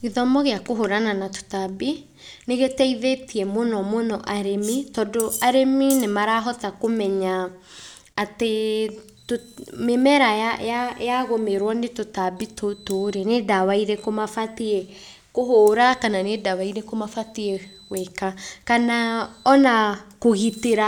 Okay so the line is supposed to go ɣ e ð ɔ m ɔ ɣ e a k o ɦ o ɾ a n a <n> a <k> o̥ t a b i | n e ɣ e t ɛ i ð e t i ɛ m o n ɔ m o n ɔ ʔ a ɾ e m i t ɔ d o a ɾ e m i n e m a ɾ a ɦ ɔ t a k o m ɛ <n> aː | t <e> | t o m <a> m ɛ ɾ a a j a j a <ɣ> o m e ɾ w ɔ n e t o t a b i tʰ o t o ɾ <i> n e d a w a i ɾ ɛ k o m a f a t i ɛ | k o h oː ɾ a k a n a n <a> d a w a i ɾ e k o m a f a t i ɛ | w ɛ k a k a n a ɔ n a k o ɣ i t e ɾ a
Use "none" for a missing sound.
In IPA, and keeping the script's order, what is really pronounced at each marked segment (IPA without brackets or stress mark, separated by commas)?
n, t, ɲ, e, e, ɣ, e, e